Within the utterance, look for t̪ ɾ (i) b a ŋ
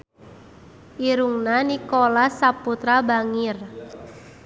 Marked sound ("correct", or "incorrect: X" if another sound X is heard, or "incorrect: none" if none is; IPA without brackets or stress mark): incorrect: a